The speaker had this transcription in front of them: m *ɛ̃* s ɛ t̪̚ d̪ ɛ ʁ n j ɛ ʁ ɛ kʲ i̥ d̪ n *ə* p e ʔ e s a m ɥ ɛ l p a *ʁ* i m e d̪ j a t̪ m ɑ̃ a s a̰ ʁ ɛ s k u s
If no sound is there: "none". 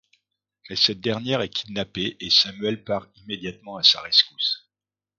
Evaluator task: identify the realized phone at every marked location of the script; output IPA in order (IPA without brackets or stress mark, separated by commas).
ɛ, a, ʁ